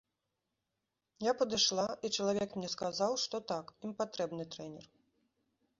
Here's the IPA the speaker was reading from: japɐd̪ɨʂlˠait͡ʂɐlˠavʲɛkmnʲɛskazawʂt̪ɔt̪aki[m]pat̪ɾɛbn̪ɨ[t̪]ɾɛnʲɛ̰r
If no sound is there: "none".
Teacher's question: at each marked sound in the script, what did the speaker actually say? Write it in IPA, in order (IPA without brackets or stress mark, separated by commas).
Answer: m, t̪